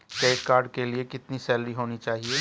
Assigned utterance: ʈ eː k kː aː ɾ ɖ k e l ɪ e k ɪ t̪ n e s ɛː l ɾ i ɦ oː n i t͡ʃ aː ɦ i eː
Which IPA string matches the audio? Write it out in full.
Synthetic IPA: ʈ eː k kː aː ɾ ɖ k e l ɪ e k ɪ t̪ n i s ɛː l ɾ i ɦ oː n i t͡ʃ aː ɦ i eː